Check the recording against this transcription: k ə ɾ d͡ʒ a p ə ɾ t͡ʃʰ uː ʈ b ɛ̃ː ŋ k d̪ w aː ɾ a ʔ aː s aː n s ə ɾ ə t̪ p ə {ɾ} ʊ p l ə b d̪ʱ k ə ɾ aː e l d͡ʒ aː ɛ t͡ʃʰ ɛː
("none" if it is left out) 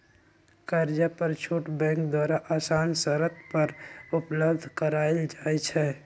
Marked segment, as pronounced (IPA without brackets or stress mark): ɾ